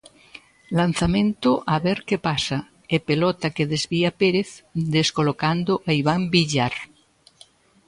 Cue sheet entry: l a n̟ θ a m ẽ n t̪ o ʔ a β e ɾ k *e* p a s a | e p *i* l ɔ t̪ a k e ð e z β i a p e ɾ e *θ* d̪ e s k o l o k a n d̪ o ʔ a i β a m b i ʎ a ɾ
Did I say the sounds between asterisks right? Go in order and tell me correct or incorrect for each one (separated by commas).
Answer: correct, incorrect, correct